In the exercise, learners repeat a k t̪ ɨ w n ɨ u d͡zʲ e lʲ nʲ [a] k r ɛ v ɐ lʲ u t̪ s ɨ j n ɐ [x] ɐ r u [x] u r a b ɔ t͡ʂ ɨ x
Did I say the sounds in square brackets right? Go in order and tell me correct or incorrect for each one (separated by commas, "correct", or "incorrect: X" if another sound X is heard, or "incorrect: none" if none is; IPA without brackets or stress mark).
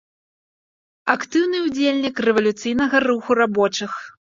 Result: incorrect: i, incorrect: ɣ, correct